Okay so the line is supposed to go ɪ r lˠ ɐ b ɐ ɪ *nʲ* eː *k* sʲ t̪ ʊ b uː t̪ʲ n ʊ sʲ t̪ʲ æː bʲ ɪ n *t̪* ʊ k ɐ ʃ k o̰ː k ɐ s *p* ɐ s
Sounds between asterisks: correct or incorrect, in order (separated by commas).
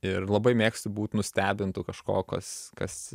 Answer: incorrect, correct, correct, incorrect